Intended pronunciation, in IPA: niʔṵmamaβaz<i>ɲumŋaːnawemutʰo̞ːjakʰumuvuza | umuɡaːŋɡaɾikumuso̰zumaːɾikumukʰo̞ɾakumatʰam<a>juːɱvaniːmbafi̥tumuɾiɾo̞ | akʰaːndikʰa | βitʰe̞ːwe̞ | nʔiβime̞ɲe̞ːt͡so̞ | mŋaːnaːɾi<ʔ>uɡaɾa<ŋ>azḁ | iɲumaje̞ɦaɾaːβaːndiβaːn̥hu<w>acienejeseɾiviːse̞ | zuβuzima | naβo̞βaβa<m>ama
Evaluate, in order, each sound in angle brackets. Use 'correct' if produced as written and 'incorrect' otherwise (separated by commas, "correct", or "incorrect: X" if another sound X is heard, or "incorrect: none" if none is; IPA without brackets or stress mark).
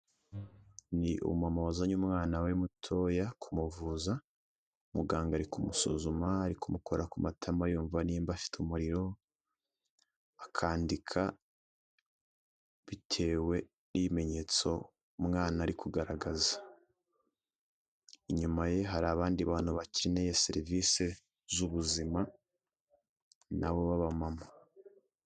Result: incorrect: a, correct, incorrect: k, incorrect: ɡ, incorrect: β, correct